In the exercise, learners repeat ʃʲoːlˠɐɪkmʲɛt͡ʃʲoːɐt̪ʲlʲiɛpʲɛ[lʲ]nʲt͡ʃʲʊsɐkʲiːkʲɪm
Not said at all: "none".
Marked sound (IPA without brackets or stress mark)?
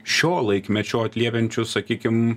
none